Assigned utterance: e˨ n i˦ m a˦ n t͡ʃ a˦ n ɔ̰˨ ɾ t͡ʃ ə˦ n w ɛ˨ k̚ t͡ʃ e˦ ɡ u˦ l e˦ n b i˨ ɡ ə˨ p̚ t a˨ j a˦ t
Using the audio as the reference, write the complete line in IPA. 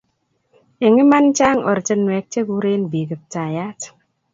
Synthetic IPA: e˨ ŋ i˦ m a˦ n t͡ʃ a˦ ŋ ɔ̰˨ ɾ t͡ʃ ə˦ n w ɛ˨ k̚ t͡ʃ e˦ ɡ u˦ ɾ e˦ n b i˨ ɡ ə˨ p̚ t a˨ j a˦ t